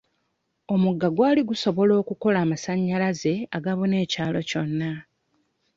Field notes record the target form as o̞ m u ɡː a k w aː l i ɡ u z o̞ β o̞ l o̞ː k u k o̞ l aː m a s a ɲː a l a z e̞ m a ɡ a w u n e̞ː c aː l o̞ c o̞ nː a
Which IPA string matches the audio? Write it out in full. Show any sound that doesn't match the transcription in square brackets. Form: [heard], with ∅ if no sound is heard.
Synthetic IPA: o̞ m u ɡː a [ɡ] w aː l i ɡ u [s] o̞ β o̞ l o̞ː k u k o̞ l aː m a s a ɲː a l a z e̞ [∅] a ɡ a [β] u n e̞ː c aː l o̞ c o̞ nː a